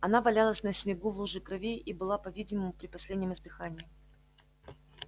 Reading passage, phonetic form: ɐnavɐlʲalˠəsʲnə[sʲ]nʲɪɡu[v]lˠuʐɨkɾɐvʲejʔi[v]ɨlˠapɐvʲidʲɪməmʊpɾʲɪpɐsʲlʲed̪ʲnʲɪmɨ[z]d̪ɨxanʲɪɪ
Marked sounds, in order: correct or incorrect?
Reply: correct, correct, incorrect: b, correct

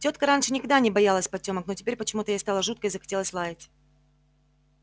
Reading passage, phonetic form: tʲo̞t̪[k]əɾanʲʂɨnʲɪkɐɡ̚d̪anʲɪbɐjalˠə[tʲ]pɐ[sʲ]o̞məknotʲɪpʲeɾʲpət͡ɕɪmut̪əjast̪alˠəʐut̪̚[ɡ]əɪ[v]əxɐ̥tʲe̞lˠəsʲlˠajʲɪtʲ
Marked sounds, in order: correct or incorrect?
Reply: correct, incorrect: sʲ, incorrect: tʲ, incorrect: k, incorrect: z

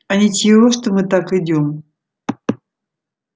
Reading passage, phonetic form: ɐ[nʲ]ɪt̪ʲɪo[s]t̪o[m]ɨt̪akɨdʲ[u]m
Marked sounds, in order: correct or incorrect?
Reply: correct, incorrect: ʂ, correct, incorrect: o

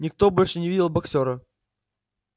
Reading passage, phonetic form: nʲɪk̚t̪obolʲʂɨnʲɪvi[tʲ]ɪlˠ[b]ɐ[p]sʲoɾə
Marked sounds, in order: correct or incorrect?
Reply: incorrect: dʲ, correct, incorrect: k

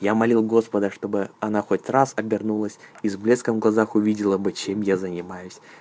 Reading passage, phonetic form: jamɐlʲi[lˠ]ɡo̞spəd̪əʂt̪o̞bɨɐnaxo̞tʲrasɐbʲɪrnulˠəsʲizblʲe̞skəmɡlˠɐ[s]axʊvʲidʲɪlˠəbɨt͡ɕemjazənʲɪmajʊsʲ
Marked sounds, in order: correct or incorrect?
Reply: correct, incorrect: z

